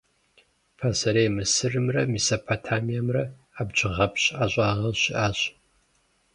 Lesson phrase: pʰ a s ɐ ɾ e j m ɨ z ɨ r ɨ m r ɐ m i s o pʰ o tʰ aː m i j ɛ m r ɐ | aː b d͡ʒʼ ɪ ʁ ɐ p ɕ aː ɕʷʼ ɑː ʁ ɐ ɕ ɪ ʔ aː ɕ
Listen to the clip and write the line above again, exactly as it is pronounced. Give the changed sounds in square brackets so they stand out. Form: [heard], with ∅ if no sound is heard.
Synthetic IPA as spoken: pʰ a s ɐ ɾ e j m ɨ [s] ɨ r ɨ m r ɐ m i s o pʰ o tʰ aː m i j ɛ m r ɐ | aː b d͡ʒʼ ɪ ʁ ɐ p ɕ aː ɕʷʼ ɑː ʁ ɐ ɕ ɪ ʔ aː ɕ